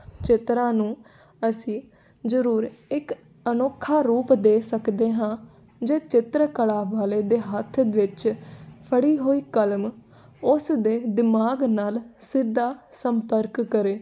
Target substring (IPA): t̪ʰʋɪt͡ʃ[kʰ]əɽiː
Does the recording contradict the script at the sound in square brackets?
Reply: yes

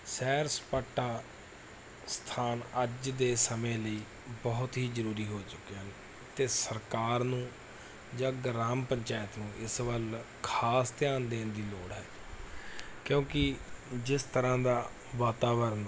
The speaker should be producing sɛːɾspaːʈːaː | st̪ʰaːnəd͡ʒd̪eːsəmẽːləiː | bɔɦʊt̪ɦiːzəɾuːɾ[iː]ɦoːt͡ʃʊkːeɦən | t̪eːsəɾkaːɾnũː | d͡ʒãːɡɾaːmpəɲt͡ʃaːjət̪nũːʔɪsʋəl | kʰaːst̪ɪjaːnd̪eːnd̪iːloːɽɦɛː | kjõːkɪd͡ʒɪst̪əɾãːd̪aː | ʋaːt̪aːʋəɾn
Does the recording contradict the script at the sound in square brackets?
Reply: no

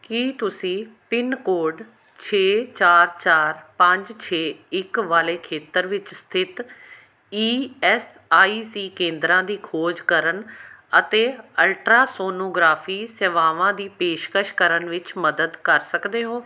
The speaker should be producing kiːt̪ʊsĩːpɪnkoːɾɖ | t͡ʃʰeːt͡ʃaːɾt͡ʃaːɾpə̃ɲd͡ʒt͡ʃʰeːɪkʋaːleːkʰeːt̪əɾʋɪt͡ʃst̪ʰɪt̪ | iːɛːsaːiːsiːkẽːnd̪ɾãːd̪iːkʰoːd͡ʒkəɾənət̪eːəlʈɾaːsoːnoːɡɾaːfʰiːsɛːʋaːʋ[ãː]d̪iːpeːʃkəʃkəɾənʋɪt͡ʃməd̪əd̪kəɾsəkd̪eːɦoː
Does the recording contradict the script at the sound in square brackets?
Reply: no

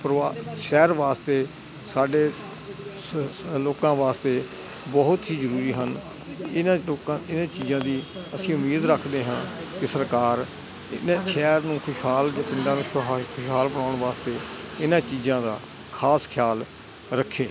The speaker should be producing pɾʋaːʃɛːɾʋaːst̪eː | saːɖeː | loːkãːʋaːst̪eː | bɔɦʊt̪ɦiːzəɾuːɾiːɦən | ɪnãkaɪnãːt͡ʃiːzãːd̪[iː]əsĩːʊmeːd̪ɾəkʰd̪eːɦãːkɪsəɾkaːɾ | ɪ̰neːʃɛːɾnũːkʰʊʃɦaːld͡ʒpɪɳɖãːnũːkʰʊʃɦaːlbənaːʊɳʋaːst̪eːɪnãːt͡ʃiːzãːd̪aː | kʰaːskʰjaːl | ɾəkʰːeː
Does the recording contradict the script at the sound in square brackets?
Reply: no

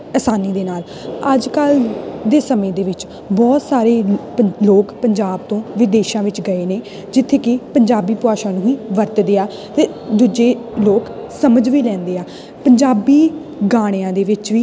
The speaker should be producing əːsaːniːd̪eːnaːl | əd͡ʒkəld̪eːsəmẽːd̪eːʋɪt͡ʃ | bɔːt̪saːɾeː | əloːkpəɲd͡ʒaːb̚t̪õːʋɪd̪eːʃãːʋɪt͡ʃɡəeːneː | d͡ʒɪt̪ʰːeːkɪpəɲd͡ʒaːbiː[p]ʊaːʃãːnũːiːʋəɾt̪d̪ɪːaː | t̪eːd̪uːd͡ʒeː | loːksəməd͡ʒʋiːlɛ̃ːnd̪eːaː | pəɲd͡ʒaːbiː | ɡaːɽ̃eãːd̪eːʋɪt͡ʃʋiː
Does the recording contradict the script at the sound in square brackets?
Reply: no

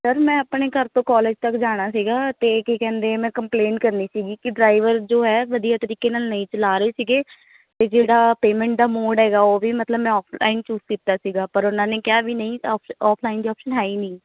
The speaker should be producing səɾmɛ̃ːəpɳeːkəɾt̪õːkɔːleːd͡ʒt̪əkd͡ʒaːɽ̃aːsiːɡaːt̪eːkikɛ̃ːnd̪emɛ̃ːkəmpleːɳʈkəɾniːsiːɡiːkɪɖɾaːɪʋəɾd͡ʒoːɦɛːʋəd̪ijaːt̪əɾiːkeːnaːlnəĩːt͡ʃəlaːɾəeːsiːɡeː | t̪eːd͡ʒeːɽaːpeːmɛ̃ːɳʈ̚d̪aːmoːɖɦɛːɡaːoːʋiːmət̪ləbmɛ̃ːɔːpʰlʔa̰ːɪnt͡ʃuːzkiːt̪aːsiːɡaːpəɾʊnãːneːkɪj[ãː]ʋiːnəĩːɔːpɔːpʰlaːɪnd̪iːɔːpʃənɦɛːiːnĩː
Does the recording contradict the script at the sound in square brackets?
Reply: yes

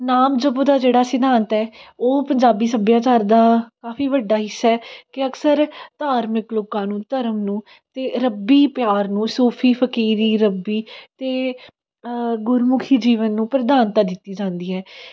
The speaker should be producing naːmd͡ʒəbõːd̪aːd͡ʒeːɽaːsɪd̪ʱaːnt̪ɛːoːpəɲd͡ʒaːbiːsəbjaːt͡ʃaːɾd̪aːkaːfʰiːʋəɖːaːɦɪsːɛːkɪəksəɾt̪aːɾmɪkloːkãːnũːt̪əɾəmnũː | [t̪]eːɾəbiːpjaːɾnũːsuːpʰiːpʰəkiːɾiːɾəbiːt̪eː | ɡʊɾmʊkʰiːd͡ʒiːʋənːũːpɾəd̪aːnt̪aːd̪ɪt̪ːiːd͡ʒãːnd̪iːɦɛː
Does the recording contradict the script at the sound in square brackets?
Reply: no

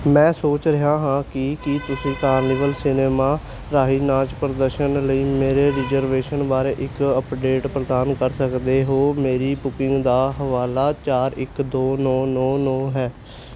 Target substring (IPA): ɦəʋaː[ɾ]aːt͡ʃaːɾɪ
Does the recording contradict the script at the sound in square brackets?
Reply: yes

